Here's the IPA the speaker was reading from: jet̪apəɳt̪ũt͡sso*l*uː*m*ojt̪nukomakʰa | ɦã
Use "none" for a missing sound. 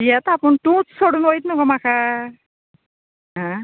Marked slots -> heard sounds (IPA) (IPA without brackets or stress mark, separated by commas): ɽ, n